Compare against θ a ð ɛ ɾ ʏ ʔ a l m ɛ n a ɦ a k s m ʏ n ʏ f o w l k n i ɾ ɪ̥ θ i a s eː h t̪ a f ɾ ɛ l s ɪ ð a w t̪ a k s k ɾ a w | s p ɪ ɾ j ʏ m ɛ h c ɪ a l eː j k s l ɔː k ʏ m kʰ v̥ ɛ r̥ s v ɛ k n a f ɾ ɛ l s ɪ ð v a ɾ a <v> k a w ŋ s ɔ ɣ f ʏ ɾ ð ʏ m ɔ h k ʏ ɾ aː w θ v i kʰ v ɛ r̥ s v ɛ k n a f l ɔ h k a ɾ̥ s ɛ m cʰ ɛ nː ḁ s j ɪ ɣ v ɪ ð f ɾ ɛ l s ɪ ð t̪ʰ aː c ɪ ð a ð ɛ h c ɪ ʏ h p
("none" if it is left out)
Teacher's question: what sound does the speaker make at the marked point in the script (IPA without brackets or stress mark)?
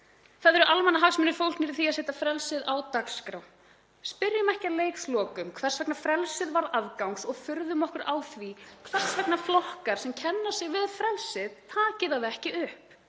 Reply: ð